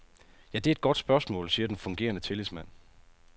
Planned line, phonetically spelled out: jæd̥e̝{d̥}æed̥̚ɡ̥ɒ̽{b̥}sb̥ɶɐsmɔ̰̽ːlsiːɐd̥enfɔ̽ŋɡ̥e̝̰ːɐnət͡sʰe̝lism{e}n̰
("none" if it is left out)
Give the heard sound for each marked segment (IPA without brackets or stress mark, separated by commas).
none, d̥, æ